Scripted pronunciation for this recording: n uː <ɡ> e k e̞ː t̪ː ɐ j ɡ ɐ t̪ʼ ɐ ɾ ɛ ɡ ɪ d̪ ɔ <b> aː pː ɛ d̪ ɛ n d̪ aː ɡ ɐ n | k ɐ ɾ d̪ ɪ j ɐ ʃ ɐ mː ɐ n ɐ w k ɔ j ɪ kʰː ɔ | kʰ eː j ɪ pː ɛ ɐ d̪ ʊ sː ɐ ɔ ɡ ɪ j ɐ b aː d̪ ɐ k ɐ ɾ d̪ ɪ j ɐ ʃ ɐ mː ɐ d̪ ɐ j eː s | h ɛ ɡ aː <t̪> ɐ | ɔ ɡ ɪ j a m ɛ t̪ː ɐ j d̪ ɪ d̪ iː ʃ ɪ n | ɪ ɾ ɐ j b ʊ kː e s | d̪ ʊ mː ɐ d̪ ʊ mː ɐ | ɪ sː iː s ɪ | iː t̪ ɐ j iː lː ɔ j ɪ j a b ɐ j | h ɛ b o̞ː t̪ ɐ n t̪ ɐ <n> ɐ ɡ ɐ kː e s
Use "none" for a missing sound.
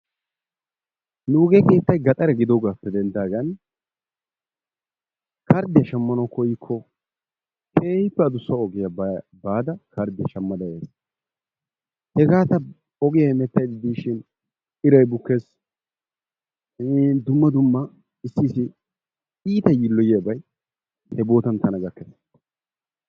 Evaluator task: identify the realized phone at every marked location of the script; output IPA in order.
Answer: ɡ, ɡ, t̪, n

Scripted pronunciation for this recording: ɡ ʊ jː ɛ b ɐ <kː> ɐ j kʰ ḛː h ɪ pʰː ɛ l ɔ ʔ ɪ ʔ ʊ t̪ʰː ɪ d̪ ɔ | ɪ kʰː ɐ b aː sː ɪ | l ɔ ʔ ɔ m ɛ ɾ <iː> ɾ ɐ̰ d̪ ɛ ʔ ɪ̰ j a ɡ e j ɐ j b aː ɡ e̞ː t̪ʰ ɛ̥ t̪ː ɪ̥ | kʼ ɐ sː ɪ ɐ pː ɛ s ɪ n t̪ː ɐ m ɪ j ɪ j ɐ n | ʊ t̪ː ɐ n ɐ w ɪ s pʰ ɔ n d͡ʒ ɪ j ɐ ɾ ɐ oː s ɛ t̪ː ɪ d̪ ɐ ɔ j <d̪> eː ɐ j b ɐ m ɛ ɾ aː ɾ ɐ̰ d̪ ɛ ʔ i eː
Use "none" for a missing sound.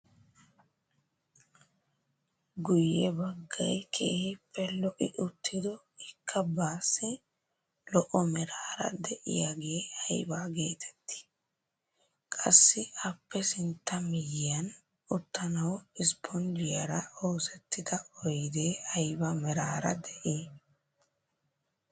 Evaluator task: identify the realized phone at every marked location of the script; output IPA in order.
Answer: ɡː, aː, d̪

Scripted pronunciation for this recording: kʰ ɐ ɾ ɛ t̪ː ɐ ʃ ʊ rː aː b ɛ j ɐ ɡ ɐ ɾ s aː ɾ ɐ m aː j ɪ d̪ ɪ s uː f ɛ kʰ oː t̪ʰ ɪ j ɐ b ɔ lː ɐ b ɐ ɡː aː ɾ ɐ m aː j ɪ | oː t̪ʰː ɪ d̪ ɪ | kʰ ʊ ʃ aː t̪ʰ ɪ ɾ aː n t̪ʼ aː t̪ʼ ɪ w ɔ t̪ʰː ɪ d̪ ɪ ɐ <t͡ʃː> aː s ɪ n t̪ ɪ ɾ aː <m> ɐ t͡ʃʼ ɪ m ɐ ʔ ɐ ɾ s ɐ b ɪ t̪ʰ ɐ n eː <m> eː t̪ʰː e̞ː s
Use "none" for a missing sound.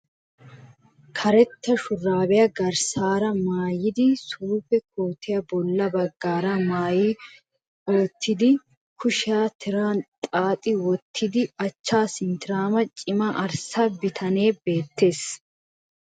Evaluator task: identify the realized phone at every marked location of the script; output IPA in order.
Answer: t͡ʃː, m, b

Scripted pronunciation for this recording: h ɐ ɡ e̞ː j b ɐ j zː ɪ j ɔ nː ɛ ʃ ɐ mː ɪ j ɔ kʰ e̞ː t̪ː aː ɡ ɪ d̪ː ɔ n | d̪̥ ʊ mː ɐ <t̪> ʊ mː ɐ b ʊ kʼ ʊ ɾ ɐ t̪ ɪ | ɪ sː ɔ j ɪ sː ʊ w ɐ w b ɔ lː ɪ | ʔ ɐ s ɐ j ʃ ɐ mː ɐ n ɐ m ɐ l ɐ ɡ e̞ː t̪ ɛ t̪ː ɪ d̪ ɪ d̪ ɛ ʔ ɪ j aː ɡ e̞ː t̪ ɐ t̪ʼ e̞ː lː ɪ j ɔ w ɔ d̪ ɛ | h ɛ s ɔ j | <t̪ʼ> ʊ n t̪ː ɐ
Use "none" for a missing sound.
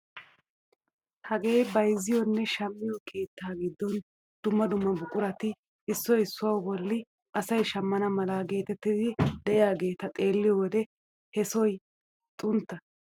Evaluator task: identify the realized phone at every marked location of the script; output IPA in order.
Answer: d̪, t̪ʼ

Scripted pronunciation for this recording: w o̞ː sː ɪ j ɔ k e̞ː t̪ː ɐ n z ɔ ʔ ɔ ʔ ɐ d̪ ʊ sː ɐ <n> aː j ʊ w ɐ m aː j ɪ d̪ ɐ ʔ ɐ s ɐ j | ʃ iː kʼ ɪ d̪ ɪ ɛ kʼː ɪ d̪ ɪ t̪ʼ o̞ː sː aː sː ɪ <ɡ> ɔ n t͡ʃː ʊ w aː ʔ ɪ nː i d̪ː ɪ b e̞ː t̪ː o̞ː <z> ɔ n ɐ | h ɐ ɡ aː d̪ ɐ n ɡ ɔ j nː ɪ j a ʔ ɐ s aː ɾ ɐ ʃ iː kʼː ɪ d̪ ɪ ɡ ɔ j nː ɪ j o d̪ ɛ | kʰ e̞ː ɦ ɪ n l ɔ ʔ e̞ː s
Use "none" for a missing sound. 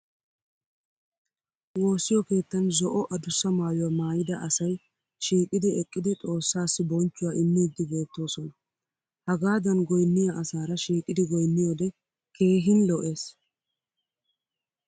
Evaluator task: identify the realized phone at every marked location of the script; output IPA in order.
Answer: m, b, s

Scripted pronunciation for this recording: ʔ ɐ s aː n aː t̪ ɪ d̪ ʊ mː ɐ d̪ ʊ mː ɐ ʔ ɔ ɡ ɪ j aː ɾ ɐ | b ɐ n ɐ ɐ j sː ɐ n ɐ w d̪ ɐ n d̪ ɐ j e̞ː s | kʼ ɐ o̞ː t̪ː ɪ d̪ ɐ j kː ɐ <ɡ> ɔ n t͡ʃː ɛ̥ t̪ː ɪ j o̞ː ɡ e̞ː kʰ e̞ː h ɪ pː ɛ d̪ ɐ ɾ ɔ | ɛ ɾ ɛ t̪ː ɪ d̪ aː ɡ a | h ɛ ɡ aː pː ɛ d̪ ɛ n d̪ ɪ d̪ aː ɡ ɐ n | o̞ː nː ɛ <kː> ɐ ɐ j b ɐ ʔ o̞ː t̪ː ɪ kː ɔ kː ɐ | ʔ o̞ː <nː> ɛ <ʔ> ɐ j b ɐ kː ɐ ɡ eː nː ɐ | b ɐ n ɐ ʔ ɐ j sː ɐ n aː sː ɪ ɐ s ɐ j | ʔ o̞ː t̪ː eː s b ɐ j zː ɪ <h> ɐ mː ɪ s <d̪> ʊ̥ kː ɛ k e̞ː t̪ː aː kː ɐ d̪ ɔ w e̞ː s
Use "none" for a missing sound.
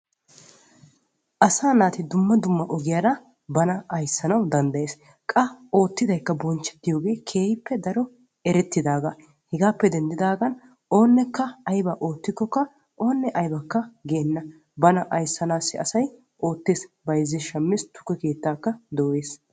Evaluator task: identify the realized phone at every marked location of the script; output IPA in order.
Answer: b, kː, nː, ʔ, ʃ, t̪

